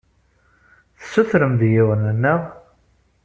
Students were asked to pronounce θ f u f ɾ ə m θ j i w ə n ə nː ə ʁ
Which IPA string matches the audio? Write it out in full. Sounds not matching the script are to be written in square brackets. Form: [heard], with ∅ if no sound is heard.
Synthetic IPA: θ [s] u [θ] ɾ ə m [ð] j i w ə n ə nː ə ʁ